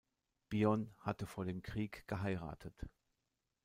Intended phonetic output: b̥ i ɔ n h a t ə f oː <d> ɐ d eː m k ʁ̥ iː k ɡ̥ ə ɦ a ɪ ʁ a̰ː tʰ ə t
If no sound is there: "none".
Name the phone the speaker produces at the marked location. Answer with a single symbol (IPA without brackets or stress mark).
none